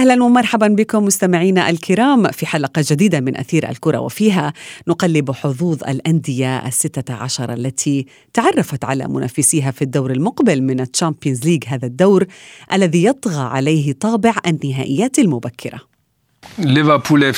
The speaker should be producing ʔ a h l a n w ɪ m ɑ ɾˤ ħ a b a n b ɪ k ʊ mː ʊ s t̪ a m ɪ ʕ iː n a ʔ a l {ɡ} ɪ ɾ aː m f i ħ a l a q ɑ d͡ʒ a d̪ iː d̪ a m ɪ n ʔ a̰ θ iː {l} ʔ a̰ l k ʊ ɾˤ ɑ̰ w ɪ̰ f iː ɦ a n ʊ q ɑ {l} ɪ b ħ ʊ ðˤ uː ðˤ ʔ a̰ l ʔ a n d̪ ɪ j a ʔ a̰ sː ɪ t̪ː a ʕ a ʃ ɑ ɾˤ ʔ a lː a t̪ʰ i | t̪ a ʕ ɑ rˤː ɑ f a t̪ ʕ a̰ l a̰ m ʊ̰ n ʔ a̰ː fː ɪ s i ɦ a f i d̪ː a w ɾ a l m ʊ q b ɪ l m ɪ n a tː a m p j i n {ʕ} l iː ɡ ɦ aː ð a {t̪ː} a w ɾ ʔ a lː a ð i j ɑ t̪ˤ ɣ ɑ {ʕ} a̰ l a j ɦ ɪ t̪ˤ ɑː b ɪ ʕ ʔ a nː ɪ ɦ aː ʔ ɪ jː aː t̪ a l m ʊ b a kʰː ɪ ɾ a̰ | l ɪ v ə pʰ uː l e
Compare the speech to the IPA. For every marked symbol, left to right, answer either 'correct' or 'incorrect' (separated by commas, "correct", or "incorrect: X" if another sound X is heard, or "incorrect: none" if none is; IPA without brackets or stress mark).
incorrect: k, incorrect: ɾ, incorrect: lː, incorrect: z, incorrect: d̪ː, correct